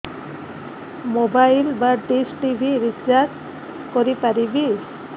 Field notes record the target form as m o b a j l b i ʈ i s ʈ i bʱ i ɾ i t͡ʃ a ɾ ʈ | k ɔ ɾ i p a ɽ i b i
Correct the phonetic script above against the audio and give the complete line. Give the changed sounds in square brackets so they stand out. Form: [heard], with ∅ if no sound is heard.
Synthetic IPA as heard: m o b a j l b [a] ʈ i s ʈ i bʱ i ɾ i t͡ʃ a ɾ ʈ | k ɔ ɾ i p a [ɾ] i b i